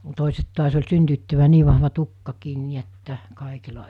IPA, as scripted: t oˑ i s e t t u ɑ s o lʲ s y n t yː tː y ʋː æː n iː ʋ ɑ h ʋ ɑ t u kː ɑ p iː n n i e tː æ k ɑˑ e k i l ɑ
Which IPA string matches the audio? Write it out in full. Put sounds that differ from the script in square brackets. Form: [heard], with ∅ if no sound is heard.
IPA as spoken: t oˑ i s e t t u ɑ s o lʲ s y n t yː tː y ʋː æː n iː ʋ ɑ h ʋ ɑ t u kː ɑ [k] iː n n i e tː æ k ɑˑ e k i l ɑ